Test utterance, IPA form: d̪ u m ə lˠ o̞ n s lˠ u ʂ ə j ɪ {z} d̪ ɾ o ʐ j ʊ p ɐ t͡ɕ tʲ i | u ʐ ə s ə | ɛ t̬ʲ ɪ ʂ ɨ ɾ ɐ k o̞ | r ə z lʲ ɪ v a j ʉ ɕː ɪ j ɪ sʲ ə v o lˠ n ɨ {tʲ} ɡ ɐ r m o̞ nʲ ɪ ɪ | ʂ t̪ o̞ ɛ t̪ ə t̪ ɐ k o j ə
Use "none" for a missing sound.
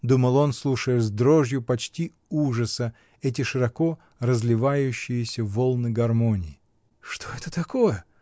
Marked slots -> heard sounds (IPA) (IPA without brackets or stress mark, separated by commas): z, none